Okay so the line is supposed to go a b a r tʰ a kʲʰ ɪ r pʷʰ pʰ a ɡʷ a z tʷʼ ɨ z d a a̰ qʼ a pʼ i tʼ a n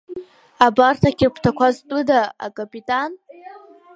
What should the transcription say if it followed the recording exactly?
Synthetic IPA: a b a r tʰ a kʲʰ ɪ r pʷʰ tʰ a kʷ a z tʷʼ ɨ d a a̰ kʼ a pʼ i tʼ a n